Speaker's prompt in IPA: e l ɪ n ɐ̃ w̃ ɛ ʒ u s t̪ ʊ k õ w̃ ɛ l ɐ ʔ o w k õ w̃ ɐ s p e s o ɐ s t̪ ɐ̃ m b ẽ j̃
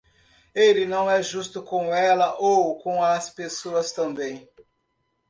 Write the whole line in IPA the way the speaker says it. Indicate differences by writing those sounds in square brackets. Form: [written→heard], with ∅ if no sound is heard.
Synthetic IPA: e l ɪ n ɐ̃ w̃ ɛ ʒ u s t̪ ʊ k õ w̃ ɛ l ɐ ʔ o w k õ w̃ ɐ s p e s o ɐ s t̪ ɐ̃ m b ẽ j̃